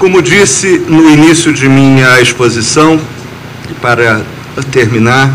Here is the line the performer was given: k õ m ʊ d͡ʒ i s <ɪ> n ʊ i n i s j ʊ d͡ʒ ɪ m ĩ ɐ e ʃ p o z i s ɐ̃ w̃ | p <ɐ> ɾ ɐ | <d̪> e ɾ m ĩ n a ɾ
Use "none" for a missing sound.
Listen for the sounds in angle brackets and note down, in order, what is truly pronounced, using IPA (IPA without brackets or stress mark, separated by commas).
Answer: ɪ, a, t̪